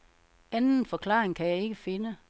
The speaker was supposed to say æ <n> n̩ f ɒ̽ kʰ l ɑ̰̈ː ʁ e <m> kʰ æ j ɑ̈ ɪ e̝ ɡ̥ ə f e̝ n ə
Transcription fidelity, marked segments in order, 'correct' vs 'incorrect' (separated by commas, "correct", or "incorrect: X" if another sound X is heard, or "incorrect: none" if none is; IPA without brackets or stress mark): correct, incorrect: ŋ